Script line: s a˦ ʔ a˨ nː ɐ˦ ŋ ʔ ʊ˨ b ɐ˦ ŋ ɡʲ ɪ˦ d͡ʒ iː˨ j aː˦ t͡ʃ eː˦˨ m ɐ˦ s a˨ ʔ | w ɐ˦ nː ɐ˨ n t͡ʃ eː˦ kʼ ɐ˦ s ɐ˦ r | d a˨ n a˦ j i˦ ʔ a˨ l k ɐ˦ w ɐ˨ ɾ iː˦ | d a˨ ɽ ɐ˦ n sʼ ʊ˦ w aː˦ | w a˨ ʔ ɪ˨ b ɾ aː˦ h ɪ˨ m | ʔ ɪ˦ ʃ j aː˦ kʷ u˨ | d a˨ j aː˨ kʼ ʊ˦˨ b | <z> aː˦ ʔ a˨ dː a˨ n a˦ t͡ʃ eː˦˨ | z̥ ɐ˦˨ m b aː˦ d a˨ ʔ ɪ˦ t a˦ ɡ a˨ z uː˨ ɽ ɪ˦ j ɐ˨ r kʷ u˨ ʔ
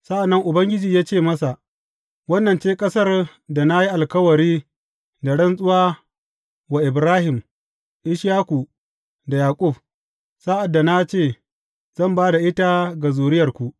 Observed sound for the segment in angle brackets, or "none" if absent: s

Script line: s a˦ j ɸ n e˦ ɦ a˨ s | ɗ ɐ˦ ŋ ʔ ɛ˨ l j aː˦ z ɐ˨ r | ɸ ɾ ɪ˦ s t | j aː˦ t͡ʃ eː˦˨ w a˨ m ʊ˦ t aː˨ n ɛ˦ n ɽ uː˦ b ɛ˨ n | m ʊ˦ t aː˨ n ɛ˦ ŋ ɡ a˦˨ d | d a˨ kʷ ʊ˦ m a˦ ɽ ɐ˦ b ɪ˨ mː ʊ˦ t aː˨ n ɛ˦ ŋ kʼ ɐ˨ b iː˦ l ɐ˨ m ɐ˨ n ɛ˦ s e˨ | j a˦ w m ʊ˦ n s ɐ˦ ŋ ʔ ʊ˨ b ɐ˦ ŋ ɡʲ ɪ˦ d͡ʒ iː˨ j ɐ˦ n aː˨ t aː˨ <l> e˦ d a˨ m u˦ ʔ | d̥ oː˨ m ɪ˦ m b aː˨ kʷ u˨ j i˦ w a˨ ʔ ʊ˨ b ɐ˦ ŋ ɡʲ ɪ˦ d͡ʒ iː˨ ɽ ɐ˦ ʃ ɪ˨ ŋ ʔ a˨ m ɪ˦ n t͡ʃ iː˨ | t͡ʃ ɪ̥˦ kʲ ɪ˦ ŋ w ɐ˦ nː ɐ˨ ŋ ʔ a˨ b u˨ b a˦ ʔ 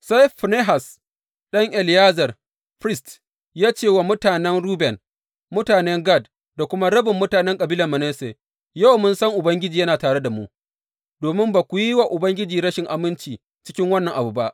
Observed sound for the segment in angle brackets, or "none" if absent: ɽ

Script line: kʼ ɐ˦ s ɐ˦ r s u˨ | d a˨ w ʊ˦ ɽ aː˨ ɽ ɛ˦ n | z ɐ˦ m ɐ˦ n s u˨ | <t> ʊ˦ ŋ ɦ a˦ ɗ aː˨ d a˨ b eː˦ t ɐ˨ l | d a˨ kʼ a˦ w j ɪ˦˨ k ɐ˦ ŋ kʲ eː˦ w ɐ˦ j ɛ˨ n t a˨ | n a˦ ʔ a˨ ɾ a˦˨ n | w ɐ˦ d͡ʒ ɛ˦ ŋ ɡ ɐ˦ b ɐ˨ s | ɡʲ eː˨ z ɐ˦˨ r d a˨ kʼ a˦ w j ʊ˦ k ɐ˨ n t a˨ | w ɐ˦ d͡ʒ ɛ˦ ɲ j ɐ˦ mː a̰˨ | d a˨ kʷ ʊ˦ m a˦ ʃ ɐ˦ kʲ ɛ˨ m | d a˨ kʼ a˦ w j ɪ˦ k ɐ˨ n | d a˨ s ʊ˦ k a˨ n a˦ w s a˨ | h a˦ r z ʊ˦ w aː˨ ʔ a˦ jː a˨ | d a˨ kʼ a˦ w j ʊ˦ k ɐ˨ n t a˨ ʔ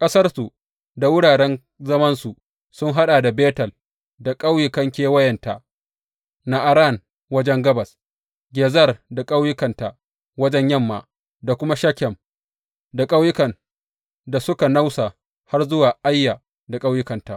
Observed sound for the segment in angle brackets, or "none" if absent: s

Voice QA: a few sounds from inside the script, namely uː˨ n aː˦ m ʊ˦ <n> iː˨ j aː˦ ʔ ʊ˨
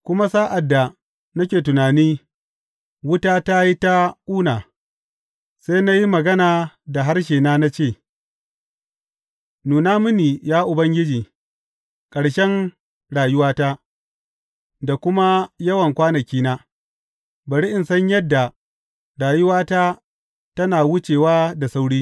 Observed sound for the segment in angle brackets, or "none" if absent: n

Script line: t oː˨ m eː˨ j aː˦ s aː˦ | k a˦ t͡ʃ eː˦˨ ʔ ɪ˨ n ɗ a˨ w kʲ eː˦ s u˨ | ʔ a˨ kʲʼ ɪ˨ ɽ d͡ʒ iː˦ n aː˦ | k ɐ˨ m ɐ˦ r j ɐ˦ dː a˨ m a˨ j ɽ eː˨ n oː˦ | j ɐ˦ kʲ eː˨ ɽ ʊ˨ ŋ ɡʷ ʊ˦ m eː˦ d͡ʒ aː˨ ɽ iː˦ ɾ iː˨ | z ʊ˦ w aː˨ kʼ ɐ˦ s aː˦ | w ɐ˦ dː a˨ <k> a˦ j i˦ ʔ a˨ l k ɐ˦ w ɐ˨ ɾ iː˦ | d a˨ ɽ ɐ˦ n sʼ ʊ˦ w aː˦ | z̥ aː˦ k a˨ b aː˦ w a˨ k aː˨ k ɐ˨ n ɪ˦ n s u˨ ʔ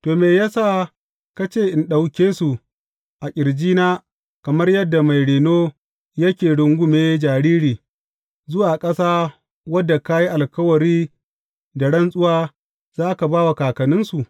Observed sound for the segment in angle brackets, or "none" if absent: k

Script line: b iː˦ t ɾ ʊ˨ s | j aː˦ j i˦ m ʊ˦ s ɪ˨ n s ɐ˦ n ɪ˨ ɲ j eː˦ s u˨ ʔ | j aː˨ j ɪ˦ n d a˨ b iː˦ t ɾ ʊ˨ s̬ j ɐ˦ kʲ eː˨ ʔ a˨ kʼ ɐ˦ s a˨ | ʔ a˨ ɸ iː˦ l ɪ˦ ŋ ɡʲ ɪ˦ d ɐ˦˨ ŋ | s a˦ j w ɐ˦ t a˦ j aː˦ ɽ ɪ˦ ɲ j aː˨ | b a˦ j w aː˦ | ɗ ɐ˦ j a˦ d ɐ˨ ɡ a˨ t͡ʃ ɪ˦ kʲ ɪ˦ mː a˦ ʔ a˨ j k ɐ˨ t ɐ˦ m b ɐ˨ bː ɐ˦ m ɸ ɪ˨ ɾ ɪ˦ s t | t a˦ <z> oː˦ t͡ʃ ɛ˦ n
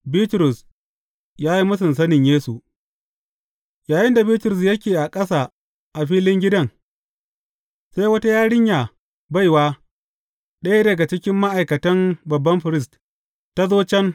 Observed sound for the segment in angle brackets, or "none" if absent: z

